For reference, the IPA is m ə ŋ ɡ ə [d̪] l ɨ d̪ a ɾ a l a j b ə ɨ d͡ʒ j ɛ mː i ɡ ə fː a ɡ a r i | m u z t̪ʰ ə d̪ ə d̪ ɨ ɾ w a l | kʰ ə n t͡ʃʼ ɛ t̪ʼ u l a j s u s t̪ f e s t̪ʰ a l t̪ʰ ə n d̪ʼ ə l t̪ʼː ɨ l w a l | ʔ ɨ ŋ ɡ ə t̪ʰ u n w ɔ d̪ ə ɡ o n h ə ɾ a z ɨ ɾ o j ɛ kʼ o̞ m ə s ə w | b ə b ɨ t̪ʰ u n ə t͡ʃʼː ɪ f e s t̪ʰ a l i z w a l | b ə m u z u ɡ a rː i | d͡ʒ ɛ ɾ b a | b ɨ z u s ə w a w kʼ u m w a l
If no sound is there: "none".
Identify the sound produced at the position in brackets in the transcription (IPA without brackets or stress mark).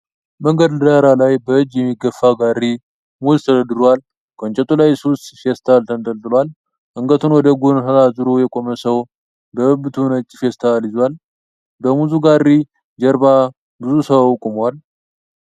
d̪